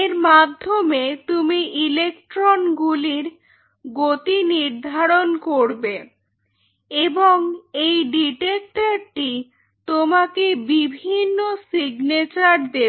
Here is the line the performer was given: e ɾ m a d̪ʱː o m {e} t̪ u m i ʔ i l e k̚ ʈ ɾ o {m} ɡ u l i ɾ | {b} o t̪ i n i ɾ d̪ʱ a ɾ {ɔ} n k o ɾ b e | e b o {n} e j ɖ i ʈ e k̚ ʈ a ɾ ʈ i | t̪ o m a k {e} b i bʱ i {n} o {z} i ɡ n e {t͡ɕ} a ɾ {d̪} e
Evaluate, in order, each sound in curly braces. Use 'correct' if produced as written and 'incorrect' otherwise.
correct, incorrect, incorrect, incorrect, incorrect, correct, incorrect, incorrect, correct, correct

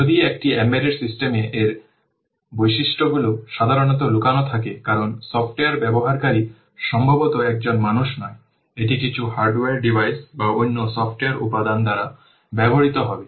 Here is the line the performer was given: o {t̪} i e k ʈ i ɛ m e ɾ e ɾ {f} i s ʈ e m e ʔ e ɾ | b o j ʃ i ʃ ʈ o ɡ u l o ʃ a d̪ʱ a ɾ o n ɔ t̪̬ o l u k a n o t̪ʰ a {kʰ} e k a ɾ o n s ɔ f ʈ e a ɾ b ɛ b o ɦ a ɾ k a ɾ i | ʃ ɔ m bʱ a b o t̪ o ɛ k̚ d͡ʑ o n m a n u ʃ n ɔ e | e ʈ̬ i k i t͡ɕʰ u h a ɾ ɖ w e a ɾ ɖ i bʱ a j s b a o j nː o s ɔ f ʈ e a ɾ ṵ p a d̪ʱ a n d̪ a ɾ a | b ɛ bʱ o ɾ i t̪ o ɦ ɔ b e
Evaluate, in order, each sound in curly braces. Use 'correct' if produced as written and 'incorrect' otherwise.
incorrect, incorrect, incorrect

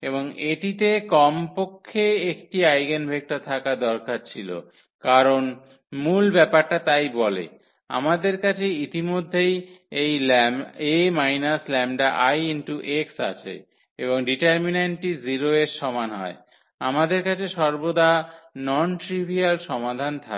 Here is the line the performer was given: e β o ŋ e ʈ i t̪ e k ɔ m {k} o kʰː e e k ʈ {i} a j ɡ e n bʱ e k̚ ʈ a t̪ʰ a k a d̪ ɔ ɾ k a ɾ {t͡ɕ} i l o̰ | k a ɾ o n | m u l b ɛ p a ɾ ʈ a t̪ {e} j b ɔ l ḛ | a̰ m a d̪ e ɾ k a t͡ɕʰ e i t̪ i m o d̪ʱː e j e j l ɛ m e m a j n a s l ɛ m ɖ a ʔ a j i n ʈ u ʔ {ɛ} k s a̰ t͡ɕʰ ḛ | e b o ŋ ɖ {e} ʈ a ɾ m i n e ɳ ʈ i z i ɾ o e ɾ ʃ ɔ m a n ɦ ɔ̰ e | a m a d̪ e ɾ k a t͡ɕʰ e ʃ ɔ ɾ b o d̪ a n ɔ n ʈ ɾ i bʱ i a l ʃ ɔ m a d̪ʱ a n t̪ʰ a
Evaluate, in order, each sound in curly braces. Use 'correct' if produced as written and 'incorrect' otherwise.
incorrect, correct, incorrect, incorrect, incorrect, incorrect

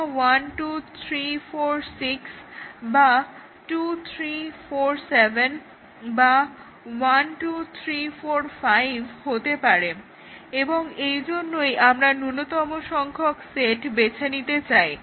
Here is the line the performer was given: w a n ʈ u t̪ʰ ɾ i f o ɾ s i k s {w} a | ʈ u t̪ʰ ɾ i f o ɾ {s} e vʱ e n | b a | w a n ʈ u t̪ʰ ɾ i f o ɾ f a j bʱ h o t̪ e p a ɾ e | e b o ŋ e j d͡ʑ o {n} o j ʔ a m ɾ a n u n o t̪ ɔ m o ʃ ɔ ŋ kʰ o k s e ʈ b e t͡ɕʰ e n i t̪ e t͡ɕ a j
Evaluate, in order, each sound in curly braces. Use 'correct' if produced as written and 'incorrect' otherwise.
incorrect, correct, incorrect

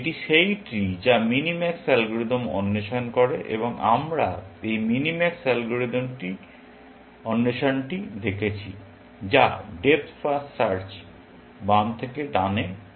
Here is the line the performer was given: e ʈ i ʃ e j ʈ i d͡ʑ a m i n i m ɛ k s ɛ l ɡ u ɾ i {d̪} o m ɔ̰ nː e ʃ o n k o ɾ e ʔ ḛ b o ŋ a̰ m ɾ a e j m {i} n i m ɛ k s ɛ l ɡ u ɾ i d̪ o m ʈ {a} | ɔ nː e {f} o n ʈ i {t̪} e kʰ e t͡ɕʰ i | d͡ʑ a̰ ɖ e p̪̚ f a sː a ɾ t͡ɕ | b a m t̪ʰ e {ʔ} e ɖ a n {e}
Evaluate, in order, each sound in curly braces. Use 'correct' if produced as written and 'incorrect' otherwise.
correct, correct, incorrect, incorrect, incorrect, incorrect, correct

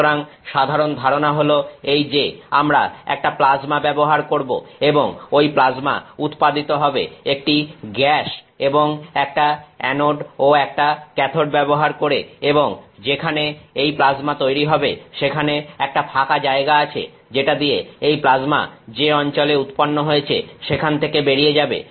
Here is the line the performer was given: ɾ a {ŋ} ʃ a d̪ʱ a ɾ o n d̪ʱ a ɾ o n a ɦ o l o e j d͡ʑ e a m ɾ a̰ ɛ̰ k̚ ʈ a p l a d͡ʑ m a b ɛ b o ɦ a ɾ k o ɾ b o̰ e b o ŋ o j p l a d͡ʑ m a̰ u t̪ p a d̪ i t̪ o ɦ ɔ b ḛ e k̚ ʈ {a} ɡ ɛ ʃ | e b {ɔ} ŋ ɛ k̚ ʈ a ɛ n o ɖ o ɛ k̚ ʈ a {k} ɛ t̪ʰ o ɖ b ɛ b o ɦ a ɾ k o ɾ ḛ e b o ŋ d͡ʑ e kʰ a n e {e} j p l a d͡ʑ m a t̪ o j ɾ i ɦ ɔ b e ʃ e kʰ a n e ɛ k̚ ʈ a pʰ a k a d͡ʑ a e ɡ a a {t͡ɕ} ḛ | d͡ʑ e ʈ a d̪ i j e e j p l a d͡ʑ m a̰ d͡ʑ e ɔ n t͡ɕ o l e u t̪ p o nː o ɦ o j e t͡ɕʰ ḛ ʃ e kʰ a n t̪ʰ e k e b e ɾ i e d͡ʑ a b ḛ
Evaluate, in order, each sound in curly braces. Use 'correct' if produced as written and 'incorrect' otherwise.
correct, incorrect, incorrect, correct, correct, incorrect

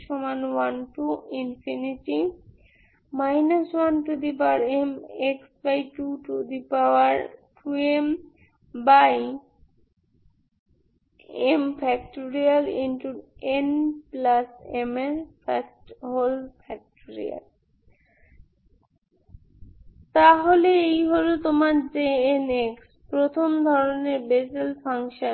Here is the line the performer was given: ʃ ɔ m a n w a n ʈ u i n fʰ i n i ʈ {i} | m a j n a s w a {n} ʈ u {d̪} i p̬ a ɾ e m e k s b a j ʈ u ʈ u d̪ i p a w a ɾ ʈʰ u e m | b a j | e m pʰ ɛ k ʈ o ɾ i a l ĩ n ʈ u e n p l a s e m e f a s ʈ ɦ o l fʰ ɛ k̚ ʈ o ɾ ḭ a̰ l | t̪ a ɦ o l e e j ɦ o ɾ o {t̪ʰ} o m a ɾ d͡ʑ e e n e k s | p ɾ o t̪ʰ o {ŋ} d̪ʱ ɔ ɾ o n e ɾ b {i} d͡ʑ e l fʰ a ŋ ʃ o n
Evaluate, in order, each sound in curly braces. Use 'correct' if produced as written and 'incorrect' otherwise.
correct, correct, correct, incorrect, incorrect, incorrect

